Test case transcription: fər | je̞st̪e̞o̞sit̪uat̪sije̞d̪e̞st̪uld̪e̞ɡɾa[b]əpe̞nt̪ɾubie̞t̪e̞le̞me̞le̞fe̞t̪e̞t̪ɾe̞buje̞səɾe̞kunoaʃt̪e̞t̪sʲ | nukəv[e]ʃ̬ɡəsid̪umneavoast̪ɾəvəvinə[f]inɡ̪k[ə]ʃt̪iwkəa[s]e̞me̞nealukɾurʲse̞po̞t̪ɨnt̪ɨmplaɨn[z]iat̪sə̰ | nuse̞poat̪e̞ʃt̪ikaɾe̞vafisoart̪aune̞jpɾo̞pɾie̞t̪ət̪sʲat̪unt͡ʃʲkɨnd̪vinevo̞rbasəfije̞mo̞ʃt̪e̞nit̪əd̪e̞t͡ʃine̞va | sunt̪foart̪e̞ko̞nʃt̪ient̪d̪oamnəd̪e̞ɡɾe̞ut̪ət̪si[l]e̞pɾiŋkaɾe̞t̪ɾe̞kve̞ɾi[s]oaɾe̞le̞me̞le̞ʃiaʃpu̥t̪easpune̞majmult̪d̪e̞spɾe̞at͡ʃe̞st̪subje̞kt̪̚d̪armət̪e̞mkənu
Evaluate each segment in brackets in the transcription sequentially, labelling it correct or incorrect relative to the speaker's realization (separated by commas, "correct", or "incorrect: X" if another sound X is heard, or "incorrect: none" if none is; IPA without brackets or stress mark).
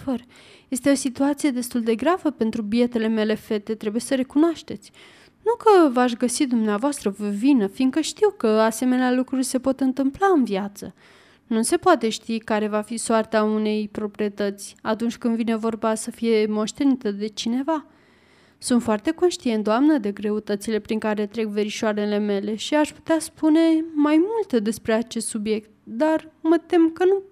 incorrect: v, incorrect: a, correct, correct, correct, incorrect: v, correct, incorrect: ʃ